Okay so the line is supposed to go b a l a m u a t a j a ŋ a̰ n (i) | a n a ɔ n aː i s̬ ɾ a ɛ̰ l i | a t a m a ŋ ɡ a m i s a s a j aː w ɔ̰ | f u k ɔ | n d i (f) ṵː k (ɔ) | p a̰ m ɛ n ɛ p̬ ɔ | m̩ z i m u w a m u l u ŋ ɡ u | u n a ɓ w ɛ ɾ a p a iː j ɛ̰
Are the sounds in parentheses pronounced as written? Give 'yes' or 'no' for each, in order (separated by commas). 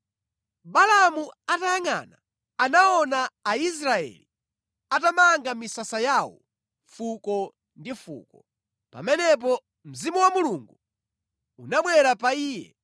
no, yes, yes